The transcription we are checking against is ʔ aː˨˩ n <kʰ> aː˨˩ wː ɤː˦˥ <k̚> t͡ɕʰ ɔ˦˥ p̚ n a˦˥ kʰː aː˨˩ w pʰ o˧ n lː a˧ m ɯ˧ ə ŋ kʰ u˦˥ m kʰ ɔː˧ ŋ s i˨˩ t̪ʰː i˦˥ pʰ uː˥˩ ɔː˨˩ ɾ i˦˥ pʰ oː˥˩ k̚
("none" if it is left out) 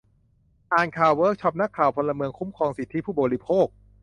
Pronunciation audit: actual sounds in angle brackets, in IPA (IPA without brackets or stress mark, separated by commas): kʰ, k̚